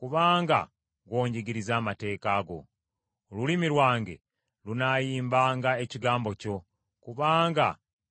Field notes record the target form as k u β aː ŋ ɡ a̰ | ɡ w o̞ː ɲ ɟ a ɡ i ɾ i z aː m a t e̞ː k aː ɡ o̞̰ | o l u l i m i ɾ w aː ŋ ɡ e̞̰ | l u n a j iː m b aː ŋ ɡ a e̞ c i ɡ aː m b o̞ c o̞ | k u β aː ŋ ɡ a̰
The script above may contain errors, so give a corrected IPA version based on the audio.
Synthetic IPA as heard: k u β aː ŋ ɡ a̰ | ɡ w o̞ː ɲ ɟ i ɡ i ɾ i z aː m a t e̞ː k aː ɡ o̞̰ | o l u l i m i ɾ w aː ŋ ɡ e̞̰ | l u n a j iː m b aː ŋ ɡ a e̞ c i ɡ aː m b o̞ c o̞ | k u β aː ŋ ɡ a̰